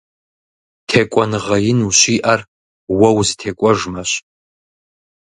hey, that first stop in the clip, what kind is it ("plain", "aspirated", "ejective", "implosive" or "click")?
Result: aspirated